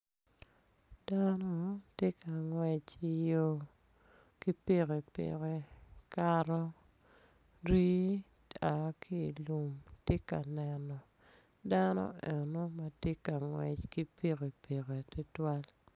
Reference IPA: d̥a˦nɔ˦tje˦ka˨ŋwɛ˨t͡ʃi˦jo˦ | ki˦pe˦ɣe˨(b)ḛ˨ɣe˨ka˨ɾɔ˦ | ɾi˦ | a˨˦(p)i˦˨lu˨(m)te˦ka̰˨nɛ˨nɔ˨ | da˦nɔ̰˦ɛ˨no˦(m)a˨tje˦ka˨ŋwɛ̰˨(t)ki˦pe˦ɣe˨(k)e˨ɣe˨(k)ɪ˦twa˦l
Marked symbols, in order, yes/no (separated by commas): no, no, yes, yes, no, no, no